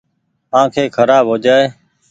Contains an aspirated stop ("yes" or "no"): yes